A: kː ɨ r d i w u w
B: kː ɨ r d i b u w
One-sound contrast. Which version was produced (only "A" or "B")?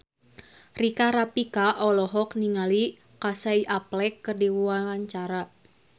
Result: A